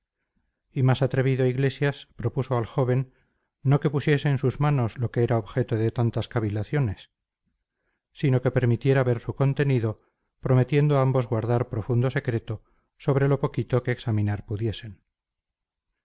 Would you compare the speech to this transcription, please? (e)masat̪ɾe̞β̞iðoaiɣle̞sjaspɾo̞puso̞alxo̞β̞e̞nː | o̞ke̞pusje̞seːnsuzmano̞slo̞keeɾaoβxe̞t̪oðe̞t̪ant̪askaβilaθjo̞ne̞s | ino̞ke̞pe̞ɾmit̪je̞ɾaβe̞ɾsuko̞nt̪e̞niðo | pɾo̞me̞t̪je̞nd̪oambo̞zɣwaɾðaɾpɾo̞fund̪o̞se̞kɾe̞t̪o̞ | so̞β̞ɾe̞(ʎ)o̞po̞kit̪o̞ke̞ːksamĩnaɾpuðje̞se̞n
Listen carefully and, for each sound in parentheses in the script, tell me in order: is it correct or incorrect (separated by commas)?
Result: incorrect, incorrect